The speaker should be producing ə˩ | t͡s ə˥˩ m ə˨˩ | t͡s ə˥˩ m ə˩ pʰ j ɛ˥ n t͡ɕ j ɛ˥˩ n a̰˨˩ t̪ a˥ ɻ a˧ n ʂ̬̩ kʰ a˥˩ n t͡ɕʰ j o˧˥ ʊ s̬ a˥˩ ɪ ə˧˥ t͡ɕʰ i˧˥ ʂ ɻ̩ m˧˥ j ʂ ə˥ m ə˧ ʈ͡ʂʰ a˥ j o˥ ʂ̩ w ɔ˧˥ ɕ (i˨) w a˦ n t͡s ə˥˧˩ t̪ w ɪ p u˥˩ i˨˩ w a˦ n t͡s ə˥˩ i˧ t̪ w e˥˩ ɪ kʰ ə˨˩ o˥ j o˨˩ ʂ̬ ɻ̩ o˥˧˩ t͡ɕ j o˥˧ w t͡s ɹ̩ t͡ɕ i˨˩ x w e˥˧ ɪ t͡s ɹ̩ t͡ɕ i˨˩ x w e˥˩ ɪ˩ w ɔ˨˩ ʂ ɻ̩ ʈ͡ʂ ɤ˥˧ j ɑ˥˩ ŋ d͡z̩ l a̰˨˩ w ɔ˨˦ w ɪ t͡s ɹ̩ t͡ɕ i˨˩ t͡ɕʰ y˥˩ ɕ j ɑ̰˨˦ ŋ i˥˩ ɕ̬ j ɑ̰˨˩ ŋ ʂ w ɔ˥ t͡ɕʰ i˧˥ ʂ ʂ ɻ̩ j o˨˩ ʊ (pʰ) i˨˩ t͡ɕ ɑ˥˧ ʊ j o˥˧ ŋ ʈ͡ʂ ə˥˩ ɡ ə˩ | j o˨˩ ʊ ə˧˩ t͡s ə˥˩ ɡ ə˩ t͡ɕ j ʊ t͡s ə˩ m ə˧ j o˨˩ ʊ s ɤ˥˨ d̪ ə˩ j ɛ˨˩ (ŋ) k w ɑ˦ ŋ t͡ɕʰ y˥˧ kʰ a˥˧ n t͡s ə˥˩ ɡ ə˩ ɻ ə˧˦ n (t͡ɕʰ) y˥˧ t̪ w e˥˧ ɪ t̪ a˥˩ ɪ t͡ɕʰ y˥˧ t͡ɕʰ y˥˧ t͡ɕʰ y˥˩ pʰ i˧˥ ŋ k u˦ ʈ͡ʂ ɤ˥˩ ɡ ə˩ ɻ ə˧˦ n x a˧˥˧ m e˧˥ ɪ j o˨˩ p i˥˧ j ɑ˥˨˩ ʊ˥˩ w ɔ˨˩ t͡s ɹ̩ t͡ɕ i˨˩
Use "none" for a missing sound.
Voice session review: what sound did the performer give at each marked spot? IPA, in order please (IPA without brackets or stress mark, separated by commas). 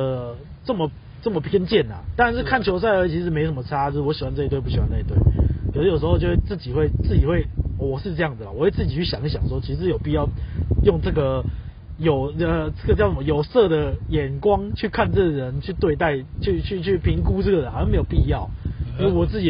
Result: i˨, p, n, t͡ɕʰ